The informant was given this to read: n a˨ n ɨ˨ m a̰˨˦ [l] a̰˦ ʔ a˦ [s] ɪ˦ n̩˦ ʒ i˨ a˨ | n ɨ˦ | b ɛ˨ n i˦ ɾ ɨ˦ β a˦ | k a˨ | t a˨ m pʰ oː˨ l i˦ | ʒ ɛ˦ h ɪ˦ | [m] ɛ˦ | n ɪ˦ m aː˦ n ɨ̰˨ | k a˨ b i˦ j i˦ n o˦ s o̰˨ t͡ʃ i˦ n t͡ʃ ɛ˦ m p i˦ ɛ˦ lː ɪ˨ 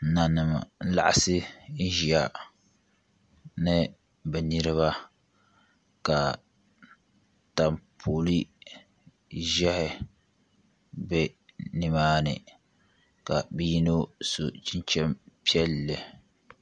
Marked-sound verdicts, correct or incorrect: correct, correct, incorrect

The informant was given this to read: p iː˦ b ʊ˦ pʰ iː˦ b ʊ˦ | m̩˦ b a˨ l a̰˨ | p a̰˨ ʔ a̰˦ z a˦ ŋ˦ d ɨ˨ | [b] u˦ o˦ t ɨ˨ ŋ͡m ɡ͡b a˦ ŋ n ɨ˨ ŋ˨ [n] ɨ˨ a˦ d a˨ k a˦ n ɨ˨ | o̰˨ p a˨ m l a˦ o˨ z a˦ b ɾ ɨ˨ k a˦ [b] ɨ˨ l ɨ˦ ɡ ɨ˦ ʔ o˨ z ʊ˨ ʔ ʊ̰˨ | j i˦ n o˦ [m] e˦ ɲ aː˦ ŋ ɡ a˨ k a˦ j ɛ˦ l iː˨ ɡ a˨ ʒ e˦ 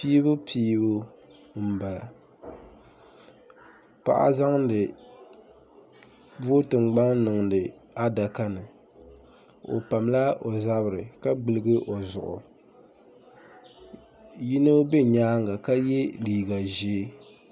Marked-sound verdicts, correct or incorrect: correct, incorrect, incorrect, incorrect

